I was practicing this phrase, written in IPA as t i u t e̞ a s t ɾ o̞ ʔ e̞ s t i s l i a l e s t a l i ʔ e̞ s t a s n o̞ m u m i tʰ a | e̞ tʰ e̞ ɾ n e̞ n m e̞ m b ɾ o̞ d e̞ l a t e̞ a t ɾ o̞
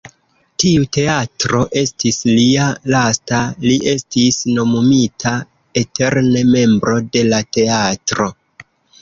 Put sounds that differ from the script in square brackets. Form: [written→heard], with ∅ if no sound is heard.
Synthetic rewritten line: t i u t e̞ a [s→∅] t ɾ o̞ ʔ e̞ s t i s l i a l [e→a] s t a l i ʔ e̞ s t [a→i] s n o̞ m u m i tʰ a | e̞ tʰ e̞ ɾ n e̞ [n→∅] m e̞ m b ɾ o̞ d e̞ l a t e̞ a t ɾ o̞